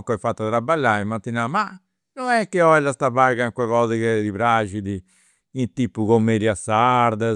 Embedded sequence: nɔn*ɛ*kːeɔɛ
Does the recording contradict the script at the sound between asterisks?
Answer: no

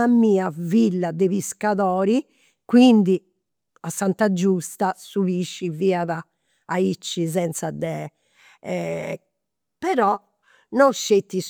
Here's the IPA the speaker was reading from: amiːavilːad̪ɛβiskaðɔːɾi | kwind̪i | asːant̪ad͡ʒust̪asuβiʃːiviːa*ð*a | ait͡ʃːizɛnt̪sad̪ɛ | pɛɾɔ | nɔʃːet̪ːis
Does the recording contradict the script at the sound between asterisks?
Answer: no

